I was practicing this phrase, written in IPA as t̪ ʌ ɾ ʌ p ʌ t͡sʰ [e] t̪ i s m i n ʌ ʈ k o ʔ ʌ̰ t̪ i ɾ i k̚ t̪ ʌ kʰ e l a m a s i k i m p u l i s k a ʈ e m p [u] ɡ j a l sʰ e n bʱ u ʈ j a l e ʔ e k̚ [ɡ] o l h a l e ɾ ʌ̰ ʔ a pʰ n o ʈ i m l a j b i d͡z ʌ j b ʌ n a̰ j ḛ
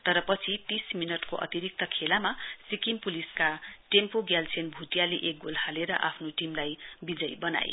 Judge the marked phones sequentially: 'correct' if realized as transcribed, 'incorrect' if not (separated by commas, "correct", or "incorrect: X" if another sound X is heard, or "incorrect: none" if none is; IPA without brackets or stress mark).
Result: incorrect: i, incorrect: o, correct